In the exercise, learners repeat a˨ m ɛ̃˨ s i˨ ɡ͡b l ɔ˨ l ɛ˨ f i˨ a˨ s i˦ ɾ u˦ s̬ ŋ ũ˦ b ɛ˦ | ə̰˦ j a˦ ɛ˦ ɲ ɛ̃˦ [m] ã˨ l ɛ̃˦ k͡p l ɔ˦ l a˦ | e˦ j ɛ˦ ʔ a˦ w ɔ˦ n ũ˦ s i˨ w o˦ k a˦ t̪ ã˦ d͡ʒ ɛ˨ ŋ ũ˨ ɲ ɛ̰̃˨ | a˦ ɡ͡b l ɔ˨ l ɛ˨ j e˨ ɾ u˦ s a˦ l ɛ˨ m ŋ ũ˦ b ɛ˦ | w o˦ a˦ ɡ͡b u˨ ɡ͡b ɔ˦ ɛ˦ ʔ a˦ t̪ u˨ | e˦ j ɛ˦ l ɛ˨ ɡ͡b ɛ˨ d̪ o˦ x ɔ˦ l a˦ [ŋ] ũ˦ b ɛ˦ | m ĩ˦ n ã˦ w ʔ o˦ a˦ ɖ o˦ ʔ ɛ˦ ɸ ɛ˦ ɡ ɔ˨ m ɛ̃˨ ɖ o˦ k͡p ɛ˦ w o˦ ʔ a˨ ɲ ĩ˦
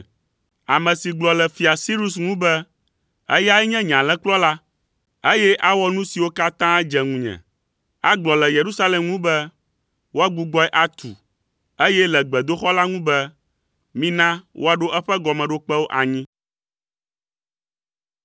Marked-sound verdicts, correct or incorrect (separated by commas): incorrect, correct